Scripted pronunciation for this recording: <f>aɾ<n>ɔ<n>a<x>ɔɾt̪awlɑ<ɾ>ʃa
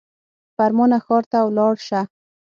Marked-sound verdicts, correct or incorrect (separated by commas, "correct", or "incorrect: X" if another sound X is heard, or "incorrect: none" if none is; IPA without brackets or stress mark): correct, incorrect: m, correct, correct, incorrect: ɽ